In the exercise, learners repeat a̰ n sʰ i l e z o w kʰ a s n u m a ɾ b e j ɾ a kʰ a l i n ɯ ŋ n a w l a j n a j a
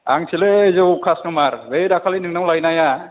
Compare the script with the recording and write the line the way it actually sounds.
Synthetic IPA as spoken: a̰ ŋ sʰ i l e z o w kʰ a s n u m a ɾ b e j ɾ a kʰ a l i n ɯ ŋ n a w l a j n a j a

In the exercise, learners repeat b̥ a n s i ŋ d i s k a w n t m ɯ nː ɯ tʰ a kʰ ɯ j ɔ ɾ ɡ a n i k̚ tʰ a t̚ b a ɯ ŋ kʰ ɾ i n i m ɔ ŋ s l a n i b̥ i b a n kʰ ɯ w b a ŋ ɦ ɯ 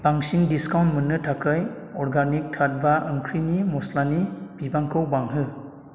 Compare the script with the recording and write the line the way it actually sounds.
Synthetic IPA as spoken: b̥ a ŋ s i ŋ d i s k a w n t m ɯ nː ɯ tʰ a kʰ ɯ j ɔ ɾ ɡ a n i k̚ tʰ a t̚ b a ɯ ŋ kʰ ɾ i n i m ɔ s l a n i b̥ i b a ŋ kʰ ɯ w b a ŋ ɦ ɯ

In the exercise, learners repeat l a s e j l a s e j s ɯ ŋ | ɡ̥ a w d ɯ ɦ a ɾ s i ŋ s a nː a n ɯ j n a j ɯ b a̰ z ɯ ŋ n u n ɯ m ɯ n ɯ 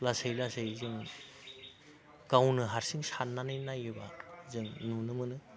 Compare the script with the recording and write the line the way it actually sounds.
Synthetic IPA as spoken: l a s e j l a s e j z ɯ ŋ | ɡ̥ a w n ɯ ɦ a ɾ s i ŋ s a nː a n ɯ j n a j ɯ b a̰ z ɯ ŋ n u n ɯ m ɯ n ɯ

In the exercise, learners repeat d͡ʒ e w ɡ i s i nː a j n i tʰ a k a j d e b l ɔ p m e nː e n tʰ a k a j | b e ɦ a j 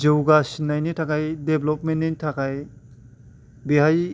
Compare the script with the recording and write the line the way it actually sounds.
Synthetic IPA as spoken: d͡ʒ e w ɡ a s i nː a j n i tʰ a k a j d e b l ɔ p m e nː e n tʰ a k a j | b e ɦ a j

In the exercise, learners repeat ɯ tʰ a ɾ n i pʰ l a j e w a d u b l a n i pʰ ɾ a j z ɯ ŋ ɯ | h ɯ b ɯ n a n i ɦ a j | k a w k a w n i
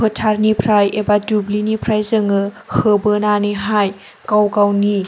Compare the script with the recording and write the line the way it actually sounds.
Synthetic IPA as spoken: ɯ tʰ a ɾ n i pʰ ɾ a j e b a d u b l i n i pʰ ɾ a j z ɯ ŋ ɯ | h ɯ b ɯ n a n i ɦ a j | k a w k a w n i

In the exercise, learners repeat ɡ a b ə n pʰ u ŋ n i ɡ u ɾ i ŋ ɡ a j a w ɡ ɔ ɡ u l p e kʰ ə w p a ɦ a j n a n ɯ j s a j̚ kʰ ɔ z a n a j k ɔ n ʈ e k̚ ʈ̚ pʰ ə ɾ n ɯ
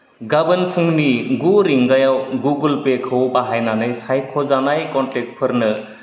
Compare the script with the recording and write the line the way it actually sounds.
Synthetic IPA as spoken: ɡ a b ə n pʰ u ŋ n i ɡ u ɾ i ŋ ɡ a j a w ɡ u ɡ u l p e kʰ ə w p a ɦ a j n a n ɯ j s a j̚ kʰ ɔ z a n a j k ɔ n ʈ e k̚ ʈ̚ pʰ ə ɾ n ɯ

